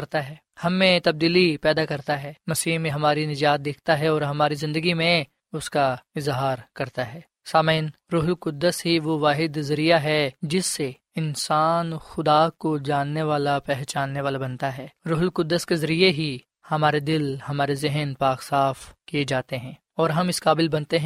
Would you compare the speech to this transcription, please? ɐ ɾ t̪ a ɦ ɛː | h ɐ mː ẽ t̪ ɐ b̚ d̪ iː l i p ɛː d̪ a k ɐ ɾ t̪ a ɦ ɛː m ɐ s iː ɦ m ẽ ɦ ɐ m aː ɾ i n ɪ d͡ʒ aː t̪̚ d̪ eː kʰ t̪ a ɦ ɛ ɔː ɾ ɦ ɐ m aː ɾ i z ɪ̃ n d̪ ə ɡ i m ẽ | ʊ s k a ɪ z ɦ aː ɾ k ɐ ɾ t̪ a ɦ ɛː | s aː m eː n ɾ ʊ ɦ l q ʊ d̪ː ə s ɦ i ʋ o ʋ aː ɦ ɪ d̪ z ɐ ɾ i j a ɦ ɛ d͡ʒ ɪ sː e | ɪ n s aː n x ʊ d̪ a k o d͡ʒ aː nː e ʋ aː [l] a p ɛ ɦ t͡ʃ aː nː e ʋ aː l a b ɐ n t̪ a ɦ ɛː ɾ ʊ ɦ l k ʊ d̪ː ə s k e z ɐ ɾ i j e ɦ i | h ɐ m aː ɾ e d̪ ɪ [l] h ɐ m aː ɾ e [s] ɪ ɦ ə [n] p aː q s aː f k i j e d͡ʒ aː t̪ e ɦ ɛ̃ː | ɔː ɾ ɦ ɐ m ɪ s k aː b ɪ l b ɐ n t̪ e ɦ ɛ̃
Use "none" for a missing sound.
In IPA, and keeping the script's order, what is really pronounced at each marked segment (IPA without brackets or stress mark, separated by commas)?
l, l, z, n